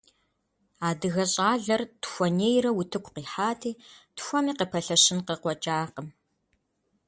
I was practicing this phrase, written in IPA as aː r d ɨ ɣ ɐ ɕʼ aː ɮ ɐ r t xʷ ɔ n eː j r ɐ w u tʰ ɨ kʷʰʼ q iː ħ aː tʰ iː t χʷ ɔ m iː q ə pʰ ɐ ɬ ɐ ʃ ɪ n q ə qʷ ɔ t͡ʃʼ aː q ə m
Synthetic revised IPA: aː d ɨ ɣ ɐ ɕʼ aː ɮ ɐ r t xʷ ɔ n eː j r ɐ w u tʰ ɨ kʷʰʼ q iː ħ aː tʰ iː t xʷ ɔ m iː q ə pʰ ɐ ɬ ɐ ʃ ɪ n q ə qʷ ɔ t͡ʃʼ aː q ə m